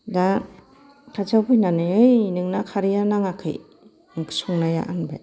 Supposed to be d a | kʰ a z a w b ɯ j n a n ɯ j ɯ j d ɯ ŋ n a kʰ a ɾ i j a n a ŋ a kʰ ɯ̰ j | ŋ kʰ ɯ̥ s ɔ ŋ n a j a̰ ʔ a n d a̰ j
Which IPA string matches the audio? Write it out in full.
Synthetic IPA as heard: d a | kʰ a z a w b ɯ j n a n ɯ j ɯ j n ɯ ŋ n a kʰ a ɾ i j a n a ŋ a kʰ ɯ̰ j | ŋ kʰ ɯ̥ s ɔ ŋ n a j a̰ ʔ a n b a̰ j